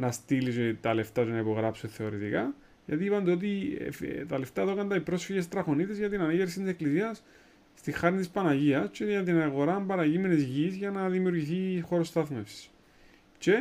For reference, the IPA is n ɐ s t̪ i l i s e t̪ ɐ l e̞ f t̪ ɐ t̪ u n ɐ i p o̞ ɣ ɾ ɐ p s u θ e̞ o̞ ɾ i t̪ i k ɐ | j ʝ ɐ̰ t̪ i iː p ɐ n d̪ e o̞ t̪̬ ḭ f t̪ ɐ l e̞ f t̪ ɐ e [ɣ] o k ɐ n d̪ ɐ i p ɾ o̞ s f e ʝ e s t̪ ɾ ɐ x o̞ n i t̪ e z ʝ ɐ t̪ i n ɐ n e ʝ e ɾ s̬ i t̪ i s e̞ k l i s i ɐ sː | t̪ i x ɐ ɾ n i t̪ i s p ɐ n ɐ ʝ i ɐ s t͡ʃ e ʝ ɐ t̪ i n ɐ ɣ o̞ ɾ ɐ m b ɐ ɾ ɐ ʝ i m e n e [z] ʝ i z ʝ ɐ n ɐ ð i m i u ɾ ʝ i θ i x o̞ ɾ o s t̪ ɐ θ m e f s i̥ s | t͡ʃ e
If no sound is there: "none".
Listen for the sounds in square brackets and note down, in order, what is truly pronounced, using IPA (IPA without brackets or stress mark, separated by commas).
ð, z